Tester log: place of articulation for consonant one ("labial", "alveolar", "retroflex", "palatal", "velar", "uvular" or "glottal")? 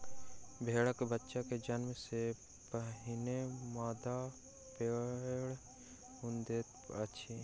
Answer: labial